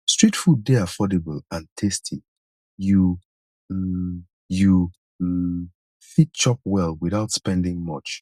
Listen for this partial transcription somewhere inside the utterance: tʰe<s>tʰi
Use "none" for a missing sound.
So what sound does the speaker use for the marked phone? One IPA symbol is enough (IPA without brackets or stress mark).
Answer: s